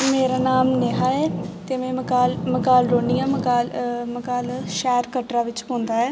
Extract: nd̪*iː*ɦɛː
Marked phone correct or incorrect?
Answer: incorrect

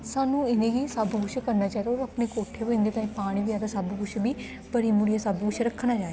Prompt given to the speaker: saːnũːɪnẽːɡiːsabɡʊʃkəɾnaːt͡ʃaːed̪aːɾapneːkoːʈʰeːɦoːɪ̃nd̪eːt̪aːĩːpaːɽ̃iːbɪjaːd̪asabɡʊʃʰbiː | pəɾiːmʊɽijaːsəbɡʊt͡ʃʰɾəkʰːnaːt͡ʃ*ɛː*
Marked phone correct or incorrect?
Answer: incorrect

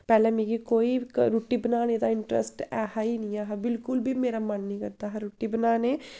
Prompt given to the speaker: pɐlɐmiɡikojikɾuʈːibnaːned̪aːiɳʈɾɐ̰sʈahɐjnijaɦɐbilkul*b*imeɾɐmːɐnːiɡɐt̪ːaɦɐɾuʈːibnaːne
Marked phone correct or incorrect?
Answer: correct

